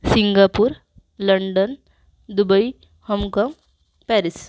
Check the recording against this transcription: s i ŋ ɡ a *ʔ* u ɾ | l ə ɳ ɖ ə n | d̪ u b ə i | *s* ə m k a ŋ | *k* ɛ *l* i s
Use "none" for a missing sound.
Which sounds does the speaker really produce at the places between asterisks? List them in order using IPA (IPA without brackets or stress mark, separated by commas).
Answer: p, h, p, ɾ